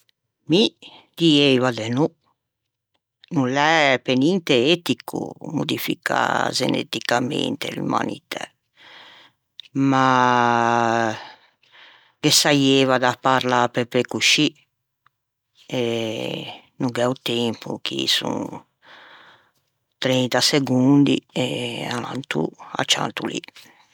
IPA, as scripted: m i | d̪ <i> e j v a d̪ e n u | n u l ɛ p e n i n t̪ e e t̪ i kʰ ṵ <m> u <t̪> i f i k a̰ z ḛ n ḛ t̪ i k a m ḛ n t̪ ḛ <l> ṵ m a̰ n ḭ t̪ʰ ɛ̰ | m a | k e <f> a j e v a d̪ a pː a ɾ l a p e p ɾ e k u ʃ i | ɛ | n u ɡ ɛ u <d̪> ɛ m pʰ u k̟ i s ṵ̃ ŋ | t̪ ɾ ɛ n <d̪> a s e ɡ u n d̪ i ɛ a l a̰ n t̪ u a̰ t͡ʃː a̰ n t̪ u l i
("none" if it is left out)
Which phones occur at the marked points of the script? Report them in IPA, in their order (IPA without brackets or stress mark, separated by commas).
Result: i, m, d̪, l, s, t̪, t̪